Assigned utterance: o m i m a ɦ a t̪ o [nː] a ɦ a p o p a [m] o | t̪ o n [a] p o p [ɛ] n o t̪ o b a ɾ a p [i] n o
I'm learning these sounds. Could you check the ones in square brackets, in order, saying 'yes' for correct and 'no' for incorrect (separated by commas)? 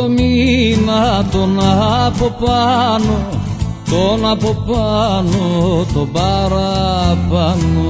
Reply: no, no, yes, no, no